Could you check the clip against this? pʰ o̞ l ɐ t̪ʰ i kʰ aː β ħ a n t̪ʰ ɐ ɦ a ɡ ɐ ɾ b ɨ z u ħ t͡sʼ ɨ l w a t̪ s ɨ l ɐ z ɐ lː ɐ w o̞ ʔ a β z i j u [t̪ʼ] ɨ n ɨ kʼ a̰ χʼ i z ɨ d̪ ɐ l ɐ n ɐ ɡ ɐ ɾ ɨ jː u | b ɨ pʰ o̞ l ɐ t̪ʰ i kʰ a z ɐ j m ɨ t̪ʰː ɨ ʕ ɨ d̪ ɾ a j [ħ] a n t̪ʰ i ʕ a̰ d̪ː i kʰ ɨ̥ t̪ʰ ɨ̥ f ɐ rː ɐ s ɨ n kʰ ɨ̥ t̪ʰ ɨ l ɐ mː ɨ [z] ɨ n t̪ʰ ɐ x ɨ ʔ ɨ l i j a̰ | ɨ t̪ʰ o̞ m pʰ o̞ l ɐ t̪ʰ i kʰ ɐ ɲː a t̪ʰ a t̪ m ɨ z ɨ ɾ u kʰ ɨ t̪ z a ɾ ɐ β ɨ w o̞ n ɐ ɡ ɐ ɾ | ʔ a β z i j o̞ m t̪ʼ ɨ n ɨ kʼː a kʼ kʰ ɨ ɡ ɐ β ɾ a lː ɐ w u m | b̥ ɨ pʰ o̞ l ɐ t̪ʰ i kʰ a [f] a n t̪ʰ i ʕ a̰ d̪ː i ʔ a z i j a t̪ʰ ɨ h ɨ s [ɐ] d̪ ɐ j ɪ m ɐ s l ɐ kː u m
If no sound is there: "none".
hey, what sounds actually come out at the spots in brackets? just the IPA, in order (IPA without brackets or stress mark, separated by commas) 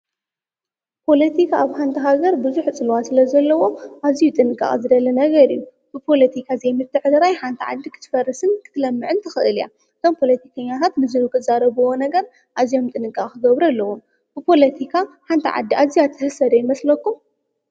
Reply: t̪ʼ, ħ, ʕ, ħ, ɐ